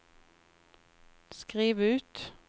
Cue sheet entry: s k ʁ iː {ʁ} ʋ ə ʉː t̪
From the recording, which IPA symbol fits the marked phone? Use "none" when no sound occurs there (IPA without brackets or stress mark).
none